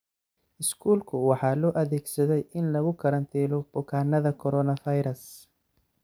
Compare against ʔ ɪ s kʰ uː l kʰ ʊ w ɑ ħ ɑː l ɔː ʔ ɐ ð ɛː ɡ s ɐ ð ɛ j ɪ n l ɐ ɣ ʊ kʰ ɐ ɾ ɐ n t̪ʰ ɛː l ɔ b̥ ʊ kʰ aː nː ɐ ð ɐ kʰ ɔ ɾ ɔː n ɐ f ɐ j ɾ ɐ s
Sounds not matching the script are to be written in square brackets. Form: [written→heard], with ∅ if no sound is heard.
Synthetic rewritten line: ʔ ɪ s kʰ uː l kʰ ʊ w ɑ ħ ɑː l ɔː ʔ ɐ ð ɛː ɡ s ɐ ð ɛ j ɪ n l ɐ ɣ ʊ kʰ ɐ ɾ ɐ n t̪ʰ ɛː l ɔ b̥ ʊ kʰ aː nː ɐ ð ɐ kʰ ɔ ɾ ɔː n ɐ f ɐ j ɾ ɐ s